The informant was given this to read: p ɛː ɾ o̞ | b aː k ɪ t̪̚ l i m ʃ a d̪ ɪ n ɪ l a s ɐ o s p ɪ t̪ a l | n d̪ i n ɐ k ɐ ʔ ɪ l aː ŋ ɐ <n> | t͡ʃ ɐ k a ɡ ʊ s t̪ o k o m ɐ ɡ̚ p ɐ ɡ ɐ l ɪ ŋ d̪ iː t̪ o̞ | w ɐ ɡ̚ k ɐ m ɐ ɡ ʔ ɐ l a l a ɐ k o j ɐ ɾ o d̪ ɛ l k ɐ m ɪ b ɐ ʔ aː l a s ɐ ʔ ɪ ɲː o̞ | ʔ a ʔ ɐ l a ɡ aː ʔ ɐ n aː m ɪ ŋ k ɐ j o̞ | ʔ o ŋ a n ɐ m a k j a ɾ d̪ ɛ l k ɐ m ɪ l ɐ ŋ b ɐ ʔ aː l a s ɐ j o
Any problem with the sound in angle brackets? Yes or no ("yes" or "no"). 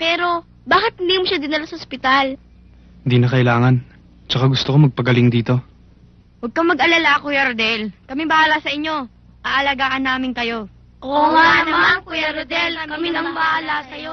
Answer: no